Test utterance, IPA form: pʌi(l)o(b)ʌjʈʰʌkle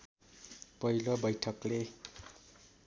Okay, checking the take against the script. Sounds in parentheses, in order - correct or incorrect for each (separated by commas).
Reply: correct, correct